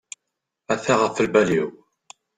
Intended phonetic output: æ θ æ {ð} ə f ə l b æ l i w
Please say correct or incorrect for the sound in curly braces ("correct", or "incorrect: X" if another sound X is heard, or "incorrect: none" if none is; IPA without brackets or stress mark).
incorrect: ʁ